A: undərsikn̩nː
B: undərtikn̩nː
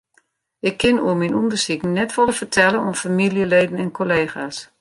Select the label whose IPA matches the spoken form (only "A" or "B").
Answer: A